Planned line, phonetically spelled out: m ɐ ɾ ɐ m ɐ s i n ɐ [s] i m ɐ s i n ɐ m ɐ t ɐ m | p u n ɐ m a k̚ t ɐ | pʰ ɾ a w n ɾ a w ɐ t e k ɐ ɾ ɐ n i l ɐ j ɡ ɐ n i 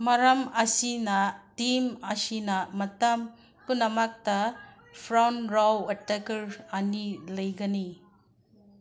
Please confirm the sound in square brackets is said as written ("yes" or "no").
no